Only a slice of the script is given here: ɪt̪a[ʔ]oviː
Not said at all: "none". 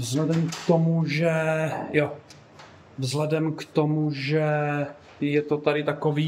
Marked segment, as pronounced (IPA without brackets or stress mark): k